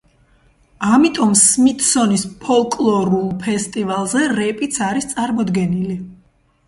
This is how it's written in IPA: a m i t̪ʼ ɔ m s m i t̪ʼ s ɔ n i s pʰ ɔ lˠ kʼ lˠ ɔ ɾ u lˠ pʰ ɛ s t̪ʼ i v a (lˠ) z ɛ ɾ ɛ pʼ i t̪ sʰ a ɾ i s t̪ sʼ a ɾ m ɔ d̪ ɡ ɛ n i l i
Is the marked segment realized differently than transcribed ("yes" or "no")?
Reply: no